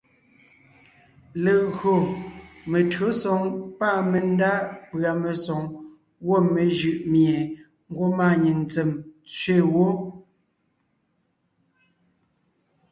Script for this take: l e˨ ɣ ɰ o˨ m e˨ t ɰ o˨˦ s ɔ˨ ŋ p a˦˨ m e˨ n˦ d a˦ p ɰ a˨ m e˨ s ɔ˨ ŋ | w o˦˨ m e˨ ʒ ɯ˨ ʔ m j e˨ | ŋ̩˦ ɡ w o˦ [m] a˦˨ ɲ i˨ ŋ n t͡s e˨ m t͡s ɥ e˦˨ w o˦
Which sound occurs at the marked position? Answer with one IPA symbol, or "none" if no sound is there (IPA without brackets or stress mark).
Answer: m